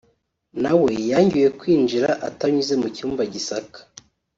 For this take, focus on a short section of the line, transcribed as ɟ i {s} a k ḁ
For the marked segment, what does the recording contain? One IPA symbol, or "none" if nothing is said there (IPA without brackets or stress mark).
s